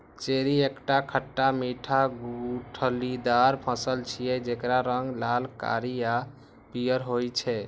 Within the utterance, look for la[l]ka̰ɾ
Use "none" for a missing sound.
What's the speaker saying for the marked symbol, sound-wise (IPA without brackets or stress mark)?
l